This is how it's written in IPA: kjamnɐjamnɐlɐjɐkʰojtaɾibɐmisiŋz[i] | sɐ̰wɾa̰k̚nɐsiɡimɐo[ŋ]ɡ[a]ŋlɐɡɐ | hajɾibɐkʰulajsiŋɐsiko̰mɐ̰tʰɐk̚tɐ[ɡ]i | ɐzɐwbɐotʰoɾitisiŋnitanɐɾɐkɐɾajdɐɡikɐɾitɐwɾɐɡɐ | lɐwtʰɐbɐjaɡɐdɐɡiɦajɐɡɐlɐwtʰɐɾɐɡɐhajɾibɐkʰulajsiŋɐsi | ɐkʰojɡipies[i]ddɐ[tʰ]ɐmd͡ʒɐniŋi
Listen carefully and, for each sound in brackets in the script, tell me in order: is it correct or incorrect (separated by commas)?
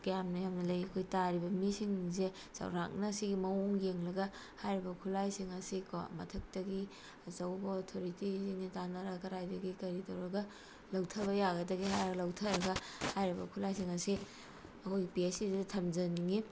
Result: incorrect, correct, incorrect, correct, correct, correct